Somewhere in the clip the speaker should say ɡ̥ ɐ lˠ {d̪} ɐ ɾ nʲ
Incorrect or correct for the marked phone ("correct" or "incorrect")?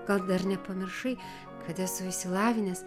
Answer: correct